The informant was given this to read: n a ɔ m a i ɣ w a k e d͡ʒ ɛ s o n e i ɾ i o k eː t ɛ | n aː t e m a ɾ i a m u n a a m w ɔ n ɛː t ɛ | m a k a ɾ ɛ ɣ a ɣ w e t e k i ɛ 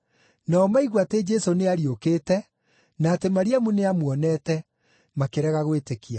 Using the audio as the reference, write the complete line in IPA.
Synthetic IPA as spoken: n a ɔ m a i ɣ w a t e d͡ʒ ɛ s o n e a ɾ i o k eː t ɛ | n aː t e m a ɾ i a m u n e a m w ɔ n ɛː t ɛ | m a k e ɾ ɛ ɣ a ɣ w e t e k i a